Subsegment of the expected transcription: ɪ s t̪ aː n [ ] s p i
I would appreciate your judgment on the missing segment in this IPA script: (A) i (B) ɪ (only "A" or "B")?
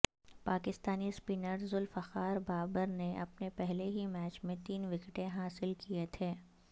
A